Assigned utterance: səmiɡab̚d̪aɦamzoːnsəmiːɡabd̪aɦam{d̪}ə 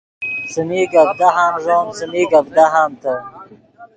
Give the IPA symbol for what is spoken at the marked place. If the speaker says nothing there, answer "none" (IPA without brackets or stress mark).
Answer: t̪